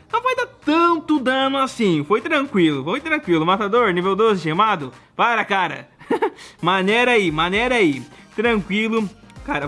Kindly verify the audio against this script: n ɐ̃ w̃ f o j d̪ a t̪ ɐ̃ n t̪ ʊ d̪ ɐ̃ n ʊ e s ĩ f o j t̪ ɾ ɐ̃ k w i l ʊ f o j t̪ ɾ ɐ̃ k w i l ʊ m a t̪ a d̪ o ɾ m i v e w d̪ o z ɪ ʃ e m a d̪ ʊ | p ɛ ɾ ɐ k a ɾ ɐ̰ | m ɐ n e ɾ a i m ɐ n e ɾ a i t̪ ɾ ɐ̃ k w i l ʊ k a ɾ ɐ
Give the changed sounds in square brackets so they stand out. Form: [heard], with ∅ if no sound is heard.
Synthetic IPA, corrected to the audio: n ɐ̃ w̃ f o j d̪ a t̪ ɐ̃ n t̪ ʊ d̪ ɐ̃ n ʊ [a] s ĩ f o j t̪ ɾ ɐ̃ k w i l ʊ f o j t̪ ɾ ɐ̃ k w i l ʊ m a t̪ a d̪ o ɾ [n] i v e w d̪ o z ɪ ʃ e m a d̪ ʊ | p [a] ɾ ɐ k a ɾ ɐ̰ | m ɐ n e ɾ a i m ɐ n e ɾ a i t̪ ɾ ɐ̃ k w i l ʊ k a ɾ ɐ